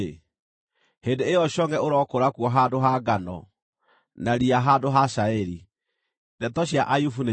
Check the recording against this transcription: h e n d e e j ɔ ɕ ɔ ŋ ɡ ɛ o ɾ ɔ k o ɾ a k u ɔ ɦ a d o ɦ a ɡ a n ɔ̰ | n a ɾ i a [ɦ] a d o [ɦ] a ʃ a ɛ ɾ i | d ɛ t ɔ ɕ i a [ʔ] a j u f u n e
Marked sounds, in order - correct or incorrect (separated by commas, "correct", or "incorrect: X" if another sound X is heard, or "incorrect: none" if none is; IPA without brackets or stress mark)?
correct, correct, correct